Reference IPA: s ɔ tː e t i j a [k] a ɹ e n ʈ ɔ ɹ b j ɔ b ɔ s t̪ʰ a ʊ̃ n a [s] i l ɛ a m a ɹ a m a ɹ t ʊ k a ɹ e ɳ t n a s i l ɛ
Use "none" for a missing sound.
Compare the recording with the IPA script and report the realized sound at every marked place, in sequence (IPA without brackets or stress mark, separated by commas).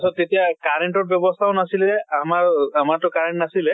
k, s